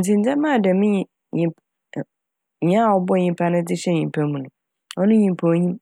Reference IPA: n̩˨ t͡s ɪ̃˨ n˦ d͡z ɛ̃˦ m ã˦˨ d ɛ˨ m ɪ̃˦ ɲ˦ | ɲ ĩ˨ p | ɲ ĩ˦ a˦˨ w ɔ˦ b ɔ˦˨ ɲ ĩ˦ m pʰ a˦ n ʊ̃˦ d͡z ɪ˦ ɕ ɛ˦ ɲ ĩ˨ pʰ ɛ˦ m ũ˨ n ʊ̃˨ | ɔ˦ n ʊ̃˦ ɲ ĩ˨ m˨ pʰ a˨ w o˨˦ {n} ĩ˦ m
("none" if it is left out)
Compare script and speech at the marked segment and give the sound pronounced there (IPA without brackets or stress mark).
ɲ